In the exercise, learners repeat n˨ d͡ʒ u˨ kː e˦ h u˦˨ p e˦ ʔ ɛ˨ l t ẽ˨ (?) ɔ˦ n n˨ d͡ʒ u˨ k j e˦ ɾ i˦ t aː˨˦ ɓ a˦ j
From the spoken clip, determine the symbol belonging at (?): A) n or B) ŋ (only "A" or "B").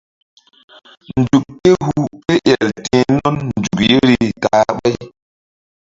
A